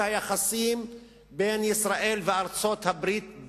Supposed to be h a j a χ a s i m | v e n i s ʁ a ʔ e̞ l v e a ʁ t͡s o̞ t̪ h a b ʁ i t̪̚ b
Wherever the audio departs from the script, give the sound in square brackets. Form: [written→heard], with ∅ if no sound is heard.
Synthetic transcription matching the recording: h a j a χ a s i m | [v→b] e n i s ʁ a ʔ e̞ l v e a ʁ t͡s o̞ t̪ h a b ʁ i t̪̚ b

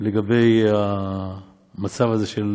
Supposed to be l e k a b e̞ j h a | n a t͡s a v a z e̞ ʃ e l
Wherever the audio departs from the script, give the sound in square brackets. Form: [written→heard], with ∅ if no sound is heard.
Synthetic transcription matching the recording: l e [k→ɡ] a b e̞ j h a | [n→m] a t͡s a v a z e̞ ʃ e l

